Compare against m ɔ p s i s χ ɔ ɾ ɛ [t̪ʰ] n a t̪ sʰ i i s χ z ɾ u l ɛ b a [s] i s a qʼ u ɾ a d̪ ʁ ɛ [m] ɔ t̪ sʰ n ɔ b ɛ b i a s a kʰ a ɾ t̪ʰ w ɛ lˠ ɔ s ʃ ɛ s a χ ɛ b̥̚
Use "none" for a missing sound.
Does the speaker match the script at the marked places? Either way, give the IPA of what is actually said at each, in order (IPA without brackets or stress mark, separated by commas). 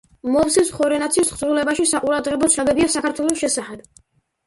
none, ʃ, b